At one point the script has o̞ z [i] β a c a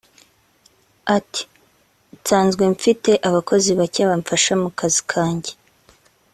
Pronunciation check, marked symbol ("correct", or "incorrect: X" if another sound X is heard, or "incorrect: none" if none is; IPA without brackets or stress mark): correct